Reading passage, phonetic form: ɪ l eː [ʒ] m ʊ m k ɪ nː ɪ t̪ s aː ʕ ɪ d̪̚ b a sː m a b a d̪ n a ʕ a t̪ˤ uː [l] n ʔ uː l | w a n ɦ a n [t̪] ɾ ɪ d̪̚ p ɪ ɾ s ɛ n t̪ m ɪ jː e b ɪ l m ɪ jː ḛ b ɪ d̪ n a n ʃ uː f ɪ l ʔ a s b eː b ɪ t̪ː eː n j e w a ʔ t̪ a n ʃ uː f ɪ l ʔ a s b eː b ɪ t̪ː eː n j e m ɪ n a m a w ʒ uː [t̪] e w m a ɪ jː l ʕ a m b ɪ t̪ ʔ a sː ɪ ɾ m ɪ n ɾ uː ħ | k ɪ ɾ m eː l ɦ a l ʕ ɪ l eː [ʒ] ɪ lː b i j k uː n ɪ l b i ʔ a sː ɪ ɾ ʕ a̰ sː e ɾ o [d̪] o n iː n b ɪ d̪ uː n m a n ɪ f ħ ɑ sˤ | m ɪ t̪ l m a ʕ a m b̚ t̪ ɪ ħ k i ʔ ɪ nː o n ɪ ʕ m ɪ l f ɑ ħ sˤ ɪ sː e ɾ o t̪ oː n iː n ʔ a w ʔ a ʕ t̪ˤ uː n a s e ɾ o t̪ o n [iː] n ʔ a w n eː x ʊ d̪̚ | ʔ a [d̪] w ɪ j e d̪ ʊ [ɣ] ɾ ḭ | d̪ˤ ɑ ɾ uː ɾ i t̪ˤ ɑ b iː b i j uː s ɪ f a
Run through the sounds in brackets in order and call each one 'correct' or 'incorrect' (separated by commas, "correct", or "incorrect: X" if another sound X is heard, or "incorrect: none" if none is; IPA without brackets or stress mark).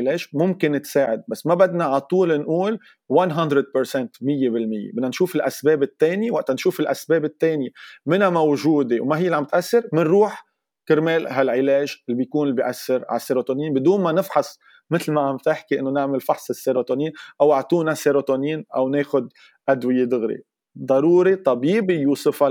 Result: correct, correct, incorrect: d̪, incorrect: d̪, correct, incorrect: t̪, correct, correct, correct